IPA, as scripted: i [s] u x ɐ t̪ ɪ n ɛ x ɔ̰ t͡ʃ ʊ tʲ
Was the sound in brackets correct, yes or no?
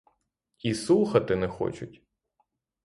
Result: yes